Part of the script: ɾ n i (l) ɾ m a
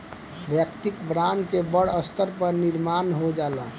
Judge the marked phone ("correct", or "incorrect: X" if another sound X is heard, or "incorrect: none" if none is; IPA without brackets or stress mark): incorrect: none